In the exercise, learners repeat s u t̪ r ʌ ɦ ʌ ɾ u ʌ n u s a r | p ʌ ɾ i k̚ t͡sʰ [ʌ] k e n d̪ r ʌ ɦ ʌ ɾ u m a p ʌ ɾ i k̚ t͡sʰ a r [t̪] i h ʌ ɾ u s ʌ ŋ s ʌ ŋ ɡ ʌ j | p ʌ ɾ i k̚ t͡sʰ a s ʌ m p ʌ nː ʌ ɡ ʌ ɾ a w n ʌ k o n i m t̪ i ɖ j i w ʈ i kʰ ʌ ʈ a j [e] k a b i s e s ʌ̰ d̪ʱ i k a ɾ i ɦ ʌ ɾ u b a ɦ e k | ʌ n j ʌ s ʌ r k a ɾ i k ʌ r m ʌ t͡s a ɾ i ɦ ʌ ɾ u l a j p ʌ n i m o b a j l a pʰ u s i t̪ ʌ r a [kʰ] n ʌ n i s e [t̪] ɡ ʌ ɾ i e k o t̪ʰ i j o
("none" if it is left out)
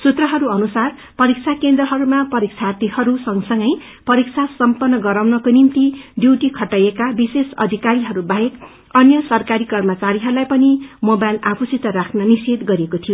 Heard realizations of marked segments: a, t̪, e, kʰ, d̪

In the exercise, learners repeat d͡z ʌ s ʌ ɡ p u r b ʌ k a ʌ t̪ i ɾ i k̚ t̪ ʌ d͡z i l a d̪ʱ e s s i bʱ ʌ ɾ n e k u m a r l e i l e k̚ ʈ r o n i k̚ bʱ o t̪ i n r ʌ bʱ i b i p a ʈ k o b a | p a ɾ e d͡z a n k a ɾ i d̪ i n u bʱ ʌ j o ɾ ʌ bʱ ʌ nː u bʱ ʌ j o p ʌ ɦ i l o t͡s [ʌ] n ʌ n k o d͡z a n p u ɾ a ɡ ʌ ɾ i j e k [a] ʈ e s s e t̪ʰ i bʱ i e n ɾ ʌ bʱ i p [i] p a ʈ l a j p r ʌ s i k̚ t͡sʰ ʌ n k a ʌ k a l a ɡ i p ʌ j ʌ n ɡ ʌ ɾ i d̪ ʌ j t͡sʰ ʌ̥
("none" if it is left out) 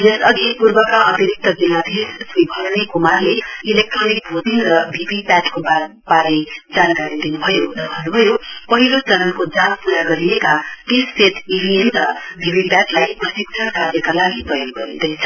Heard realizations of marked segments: ʌ, a, i

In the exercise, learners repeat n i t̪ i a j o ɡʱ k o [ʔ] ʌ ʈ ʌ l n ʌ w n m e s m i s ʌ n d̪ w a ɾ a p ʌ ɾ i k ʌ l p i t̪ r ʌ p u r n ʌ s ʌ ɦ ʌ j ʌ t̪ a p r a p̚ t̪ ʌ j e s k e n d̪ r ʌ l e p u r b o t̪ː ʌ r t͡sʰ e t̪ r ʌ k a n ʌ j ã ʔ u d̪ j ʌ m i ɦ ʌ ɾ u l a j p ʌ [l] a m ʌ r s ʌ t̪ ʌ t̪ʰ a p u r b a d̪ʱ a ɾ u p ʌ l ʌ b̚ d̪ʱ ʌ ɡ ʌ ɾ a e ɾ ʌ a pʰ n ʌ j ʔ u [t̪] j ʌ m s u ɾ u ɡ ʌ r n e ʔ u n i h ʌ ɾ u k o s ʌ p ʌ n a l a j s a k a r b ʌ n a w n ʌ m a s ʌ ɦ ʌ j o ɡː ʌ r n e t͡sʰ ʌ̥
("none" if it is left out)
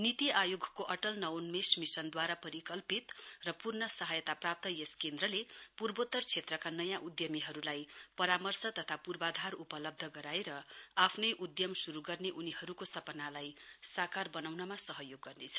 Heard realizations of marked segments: ʔ, ɾ, d̪

